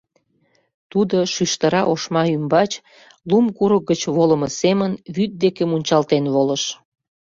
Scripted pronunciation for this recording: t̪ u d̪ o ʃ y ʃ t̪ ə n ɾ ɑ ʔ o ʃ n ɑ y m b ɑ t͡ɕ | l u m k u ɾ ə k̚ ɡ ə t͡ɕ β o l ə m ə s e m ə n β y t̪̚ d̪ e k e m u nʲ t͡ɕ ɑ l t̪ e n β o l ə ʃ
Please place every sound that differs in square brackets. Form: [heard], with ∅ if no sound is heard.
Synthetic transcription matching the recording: t̪ u d̪ o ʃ y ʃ t̪ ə [∅] ɾ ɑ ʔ o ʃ [m] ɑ y m b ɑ t͡ɕ | l u m k u ɾ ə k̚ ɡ ə t͡ɕ β o l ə m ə s e m ə n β y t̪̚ d̪ e k e m u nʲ t͡ɕ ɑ l t̪ e n β o l ə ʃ